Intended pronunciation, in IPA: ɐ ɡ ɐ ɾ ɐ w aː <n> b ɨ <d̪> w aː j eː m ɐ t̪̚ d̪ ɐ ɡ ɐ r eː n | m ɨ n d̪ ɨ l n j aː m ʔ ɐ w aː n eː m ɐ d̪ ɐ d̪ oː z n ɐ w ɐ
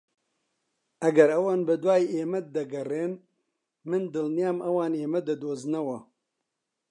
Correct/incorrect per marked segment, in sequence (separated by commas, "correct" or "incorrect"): correct, correct